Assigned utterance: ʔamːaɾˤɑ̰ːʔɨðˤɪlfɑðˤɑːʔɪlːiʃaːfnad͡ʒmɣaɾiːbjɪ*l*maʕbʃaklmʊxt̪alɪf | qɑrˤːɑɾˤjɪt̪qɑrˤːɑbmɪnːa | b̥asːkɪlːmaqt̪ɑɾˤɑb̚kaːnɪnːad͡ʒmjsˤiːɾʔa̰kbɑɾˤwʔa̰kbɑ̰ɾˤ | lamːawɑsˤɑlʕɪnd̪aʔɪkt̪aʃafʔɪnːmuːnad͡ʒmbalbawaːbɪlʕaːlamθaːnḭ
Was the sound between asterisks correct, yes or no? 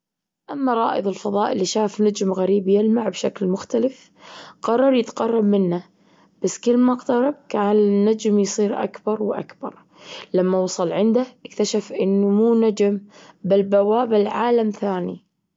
yes